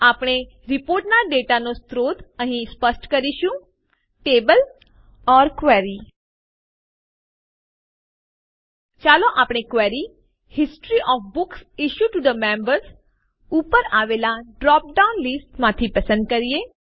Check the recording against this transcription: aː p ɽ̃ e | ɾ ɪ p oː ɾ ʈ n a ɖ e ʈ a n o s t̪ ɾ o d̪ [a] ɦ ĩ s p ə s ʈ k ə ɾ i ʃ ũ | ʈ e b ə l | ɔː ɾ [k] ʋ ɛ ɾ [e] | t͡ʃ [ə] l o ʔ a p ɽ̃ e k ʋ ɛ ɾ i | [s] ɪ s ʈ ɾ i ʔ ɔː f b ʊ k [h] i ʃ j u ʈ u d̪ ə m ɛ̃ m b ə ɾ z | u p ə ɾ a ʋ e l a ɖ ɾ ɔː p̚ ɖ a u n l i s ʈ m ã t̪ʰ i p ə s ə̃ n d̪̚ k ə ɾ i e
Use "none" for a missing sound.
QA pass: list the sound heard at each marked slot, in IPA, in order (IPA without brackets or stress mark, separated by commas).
ə, k, i, a, h, s